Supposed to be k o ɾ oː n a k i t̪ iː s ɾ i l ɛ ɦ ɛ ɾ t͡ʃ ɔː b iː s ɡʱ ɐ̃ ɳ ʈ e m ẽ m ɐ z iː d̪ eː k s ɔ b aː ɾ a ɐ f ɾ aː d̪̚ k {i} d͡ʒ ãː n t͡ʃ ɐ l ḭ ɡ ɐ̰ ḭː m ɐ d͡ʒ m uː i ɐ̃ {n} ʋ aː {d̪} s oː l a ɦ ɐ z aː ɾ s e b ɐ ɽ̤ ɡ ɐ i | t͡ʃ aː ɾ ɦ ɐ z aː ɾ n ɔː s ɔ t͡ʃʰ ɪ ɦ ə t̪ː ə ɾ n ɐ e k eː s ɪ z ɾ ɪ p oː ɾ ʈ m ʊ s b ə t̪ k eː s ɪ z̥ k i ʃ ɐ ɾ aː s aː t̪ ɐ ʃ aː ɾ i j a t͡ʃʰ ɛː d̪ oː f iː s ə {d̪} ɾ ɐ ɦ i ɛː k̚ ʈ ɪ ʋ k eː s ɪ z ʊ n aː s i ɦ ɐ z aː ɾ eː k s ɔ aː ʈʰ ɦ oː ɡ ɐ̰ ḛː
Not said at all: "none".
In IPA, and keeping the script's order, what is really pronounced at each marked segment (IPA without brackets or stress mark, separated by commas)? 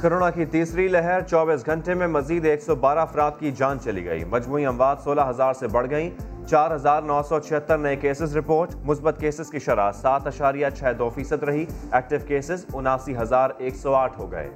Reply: i, m, d̪, d̪